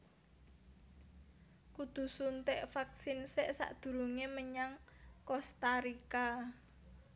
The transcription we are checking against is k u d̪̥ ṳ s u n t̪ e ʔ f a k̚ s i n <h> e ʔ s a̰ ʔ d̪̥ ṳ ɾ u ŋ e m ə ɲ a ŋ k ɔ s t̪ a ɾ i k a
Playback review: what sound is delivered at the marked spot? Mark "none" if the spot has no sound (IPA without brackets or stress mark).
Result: s